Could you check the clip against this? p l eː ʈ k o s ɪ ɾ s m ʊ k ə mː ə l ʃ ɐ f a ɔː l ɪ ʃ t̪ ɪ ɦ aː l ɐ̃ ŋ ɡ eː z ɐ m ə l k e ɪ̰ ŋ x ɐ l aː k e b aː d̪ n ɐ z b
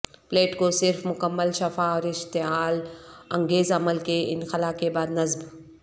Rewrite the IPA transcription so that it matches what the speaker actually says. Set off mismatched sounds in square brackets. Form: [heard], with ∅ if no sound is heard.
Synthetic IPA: p l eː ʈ k o s ɪ ɾ [f] m ʊ k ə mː ə l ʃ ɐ f a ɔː [ɾ] ɪ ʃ t̪ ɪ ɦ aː l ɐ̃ ŋ ɡ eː z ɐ m ə l k e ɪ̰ [n] x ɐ l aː k e b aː d̪ n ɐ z b